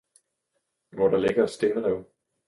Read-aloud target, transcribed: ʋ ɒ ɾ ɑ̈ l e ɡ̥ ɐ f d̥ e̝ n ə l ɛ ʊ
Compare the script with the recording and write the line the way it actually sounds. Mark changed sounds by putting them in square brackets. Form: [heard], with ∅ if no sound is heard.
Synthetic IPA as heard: ʋ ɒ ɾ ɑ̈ l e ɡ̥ ɐ [s] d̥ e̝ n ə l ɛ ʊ